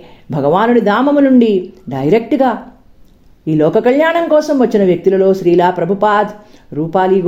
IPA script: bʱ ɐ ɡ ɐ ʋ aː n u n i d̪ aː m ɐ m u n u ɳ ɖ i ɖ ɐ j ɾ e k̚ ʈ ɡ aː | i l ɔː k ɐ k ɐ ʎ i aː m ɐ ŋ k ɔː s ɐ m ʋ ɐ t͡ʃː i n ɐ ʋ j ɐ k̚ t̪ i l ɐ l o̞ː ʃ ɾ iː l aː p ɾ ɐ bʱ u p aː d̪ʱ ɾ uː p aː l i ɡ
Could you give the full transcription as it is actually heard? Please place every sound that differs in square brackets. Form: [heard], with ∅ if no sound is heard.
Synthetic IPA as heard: bʱ ɐ ɡ ɐ ʋ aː n u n i d̪ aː m ɐ m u n u ɳ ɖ i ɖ ɐ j ɾ e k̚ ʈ ɡ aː | [iː] l ɔː k ɐ k ɐ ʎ [j] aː [ɳ] ɐ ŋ k ɔː s ɐ m ʋ ɐ t͡ʃː i n ɐ ʋ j ɐ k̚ t̪ i l ɐ l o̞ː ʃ ɾ iː l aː p ɾ ɐ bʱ u p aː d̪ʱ ɾ uː p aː l i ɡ